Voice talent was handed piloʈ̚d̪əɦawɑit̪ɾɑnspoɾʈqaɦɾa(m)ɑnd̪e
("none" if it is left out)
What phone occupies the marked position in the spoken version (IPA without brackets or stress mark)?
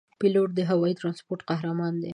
m